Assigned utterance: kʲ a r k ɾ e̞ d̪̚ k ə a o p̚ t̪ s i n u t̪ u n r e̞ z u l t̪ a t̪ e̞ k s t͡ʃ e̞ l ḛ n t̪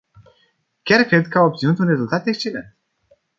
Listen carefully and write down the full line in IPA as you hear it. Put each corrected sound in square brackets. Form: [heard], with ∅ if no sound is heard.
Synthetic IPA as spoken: kʲ a r k ɾ e̞ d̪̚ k ə a o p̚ t̪ s i n u t̪ u n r e̞ z u l t̪ a t̪ e̞ k s t͡ʃ e̞ l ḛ n t̪